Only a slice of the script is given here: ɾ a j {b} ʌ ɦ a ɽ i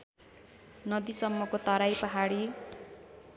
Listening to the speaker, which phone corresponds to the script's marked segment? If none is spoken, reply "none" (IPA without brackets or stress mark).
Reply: p